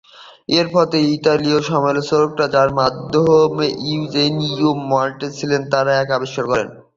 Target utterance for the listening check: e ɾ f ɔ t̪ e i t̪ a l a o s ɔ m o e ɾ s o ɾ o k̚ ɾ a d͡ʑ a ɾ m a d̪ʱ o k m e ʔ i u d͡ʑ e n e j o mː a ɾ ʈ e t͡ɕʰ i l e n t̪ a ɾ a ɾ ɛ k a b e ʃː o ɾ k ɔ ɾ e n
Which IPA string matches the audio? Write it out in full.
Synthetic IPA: e ɾ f ɔ t̪ e i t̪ a l i o ʃ ɔ m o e l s o ɾ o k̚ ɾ a d͡ʑ a ɾ m a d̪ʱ o m e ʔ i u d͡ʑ e n i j o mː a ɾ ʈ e t͡ɕʰ i l e n t̪ a ɾ a ɛ k a b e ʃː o ɾ k ɔ ɾ e n

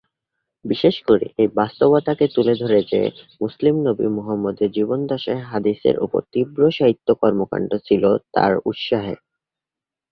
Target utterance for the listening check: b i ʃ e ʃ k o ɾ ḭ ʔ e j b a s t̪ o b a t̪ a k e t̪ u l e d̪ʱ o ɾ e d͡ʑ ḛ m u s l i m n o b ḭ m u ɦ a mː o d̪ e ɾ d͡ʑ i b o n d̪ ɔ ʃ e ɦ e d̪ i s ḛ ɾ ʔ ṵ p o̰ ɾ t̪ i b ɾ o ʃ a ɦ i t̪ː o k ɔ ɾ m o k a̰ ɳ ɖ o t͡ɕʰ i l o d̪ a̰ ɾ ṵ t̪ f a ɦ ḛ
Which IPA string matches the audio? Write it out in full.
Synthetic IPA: b i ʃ e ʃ k o ɾ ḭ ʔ e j b a s t̪ o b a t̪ a k e t̪ u l e d̪ʱ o ɾ e d͡ʑ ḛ m u s l i m n o b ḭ m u ɦ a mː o d̪ e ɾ d͡ʑ i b o n d̪ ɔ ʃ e ɦ a d̪ i s ḛ ɾ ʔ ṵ p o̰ ɾ t̪ i b ɾ o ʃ a ɦ i t̪ː o k ɔ ɾ m o k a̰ ɳ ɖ o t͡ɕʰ i l o t̪ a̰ ɾ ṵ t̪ ʃ a ɦ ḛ

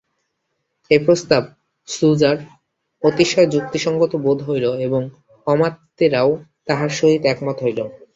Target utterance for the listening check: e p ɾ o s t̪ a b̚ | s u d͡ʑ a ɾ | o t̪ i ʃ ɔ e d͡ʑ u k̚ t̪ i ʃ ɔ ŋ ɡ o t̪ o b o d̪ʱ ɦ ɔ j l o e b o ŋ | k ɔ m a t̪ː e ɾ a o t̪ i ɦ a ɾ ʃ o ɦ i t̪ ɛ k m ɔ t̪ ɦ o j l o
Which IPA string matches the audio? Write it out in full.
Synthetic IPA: e p ɾ o s t̪ a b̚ | s u d͡ʑ a ɾ | o t̪ i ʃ ɔ e d͡ʑ u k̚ t̪ i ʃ ɔ ŋ ɡ o t̪ o b o d̪ʱ ɦ o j l o e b o ŋ | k ɔ m a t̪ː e ɾ a o t̪ a ɦ a ɾ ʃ o ɦ i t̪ ɛ k m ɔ t̪ ɦ o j l o

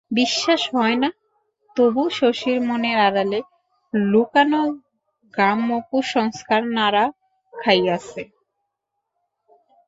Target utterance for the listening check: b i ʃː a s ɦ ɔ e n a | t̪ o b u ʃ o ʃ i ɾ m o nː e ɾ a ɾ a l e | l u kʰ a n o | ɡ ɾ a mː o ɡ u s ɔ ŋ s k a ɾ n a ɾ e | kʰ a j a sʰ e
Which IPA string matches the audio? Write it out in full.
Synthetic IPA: b i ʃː a ʃ ɦ ɔ e n a | t̪ o b u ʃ o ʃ i ɾ m o n e ɾ a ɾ a l e | l u k a n o | ɡ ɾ a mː o k u ʃ ɔ ŋ s k a ɾ n a ɾ a | kʰ a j a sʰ e

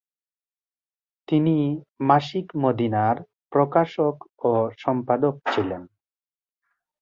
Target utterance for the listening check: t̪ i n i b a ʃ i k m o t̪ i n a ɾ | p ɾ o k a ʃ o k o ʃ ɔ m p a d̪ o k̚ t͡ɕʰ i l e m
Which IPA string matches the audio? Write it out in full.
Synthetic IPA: t̪ i n i m a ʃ i k m o d̪ i n a ɾ | p ɾ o k a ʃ o k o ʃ ɔ m p a d̪ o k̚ t͡ɕʰ i l e n

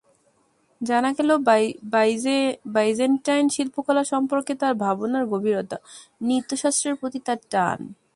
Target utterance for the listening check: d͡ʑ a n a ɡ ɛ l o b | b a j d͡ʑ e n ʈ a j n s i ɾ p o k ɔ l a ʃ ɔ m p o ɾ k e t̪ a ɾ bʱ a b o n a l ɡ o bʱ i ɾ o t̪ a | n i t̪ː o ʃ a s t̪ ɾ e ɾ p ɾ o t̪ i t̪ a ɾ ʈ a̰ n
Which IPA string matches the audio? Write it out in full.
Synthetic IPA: d͡ʑ a n a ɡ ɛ l o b | b a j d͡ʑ e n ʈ a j n ʃ i l p o k ɔ l a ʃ ɔ m p o ɾ k e t̪ a ɾ bʱ a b o n a ɾ ɡ o bʱ i ɾ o t̪ a | n i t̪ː o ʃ a s t̪ ɾ e ɾ p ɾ o t̪ i t̪ a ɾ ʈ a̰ n

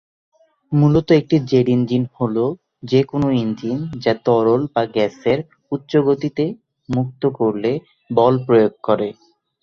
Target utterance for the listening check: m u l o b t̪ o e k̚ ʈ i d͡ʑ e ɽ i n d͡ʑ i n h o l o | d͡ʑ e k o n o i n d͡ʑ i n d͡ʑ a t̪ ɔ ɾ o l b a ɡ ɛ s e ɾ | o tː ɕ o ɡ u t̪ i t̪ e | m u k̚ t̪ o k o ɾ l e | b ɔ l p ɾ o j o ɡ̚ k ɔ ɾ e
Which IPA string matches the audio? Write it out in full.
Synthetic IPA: m u l o t̪ o e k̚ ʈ i d͡ʑ e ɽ i n d͡ʑ i n h o l o | d͡ʑ e k o n o i n d͡ʑ i n d͡ʑ a t̪ ɔ ɾ o l b a ɡ ɛ s e ɾ | u tː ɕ o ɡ o t̪ i t̪ e | m u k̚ t̪ o k o ɾ l e | b ɔ l p ɾ o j o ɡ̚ k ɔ ɾ e

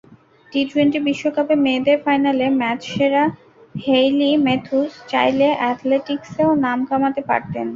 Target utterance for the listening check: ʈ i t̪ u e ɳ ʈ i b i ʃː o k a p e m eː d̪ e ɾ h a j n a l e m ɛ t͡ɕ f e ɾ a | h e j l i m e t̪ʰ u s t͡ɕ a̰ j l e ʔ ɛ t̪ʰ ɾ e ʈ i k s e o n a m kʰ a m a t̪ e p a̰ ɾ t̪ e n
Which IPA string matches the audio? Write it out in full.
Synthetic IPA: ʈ i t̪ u e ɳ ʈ i b i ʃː o k a p e m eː d̪ e ɾ f a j n a l e m ɛ t͡ɕ ʃ e ɾ a | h e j l i m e t̪ʰ u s t͡ɕ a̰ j l e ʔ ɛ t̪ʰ l e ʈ i k s e o n a m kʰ a m a t̪ e p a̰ ɾ t̪ e n

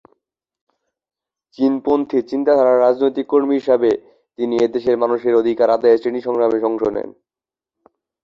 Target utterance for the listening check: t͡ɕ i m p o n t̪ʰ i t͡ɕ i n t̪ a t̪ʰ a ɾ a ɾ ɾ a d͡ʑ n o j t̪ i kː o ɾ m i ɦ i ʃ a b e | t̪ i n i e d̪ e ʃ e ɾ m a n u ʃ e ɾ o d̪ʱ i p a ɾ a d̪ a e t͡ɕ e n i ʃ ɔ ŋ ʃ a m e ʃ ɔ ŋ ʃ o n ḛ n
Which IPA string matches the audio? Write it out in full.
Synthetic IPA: t͡ɕ i n p o n t̪ʰ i t͡ɕ i n t̪ a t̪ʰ a ɾ a ɾ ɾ a d͡ʑ n o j t̪ i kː o ɾ m i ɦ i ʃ a b e | t̪ i n i e d̪ e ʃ e ɾ m a n u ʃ e ɾ o d̪ʱ i k a ɾ a d̪ a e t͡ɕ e n i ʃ ɔ ŋ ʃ a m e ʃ ɔ ŋ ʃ o n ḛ n

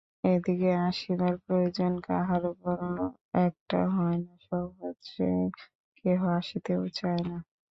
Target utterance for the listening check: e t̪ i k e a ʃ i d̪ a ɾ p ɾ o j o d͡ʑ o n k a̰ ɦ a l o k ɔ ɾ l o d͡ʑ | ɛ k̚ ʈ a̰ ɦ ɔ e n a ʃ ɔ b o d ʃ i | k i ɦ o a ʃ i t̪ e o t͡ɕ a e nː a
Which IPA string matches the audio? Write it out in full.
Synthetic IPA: e d̪ i k e a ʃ i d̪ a ɾ p ɾ o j o d͡ʑ o n k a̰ ɦ a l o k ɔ ɾ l o | ɛ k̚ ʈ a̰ ɦ ɔ e n a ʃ ɔ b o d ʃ e | k e ɦ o a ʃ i t̪ e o t͡ɕ a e n a

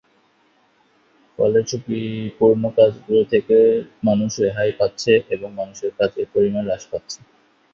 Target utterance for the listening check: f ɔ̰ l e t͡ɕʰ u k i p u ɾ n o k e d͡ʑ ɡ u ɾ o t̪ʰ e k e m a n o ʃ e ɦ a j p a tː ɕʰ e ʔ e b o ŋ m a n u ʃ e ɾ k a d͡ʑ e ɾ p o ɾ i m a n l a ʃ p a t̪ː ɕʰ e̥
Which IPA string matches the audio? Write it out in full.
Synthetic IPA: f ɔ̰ l e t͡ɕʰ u k i p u ɾ n o k a d͡ʑ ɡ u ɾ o t̪ʰ e k e m a n u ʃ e ɦ a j p a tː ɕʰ e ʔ e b o ŋ m a n u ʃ e ɾ k a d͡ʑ e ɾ p o ɾ i m a n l a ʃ p a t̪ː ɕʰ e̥

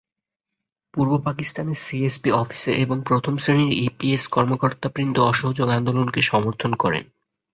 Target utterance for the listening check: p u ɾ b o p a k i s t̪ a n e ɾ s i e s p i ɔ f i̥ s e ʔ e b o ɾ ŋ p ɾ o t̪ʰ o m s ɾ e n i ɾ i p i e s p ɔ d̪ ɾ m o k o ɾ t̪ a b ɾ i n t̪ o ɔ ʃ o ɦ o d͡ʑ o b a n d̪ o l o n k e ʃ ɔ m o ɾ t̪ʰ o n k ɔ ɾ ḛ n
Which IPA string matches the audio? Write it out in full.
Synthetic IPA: p u ɾ b o p a k i s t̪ a n e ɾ s i e s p i ɔ f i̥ s e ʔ e b o ŋ p ɾ o t̪ʰ o m s ɾ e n i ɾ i p i e s k ɔ ɾ m o k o ɾ t̪ a p ɾ i n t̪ o ɔ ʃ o ɦ o d͡ʑ o ɡ a n d̪ o l o n k e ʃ ɔ m o ɾ t̪ʰ o n k ɔ ɾ ḛ n

